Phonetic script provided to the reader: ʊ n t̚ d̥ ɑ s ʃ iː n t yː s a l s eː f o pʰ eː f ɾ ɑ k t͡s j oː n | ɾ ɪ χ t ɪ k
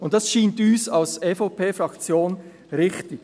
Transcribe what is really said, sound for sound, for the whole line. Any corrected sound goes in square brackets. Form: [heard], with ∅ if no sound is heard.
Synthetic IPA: ʊ n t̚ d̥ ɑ s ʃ iː n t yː s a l s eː f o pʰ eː f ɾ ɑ k t͡s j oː n | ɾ ɪ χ t ɪ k